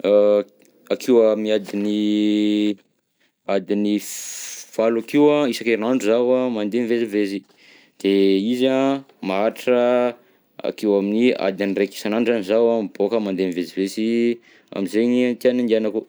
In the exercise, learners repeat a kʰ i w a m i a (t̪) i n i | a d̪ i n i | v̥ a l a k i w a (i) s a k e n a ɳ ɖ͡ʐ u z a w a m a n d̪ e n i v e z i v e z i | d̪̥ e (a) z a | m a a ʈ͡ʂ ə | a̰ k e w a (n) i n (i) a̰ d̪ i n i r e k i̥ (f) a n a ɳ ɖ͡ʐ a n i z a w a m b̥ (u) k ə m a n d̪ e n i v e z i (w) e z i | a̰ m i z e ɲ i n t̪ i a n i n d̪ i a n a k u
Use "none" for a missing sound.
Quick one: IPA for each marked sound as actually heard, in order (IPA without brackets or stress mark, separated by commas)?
d̪, i, i, m, i, s, o, v